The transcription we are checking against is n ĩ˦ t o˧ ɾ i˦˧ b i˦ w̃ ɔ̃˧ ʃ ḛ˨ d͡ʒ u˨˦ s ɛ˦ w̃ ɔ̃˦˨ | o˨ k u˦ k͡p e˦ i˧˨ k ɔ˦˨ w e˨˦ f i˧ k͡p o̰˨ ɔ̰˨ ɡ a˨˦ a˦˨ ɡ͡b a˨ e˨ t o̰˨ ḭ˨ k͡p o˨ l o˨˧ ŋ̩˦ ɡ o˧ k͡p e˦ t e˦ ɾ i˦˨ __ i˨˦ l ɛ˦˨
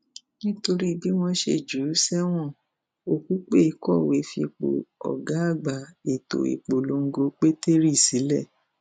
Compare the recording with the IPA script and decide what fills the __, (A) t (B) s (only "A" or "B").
B